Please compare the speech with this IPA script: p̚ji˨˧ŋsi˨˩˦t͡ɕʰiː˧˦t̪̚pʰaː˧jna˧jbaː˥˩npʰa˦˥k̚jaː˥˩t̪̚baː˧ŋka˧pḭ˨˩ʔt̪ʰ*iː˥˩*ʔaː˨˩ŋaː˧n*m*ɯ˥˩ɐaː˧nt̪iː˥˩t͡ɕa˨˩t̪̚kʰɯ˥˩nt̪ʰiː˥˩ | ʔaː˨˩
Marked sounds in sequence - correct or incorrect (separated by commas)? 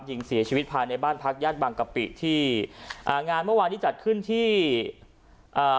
correct, correct